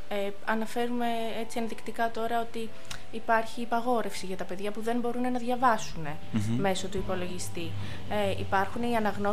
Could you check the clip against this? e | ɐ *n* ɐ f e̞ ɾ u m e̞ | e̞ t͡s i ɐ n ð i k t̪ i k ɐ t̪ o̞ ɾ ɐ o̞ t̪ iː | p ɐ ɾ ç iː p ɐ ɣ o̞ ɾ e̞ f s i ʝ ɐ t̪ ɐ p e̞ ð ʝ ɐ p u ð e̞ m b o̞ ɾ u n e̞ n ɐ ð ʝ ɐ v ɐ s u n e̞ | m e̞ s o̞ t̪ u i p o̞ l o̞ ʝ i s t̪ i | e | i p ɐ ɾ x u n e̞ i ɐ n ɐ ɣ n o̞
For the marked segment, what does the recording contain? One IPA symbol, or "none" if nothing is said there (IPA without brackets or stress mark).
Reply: n